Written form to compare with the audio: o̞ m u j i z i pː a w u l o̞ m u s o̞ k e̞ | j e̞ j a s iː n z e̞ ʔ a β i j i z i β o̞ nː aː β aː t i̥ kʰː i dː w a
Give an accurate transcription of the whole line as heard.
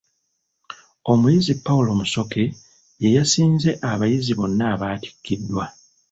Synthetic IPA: o̞ m u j i z i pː a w u l o̞ m u s o̞ k e̞ | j e̞ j a s iː n z e̞ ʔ a β a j i z i β o̞ nː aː β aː t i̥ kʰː i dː w a